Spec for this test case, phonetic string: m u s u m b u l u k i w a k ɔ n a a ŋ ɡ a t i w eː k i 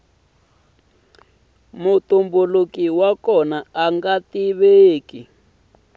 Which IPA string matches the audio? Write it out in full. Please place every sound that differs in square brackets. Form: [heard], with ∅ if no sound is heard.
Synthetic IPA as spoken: m u [t] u m b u l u k i w a k ɔ n a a ŋ ɡ a t i [β] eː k i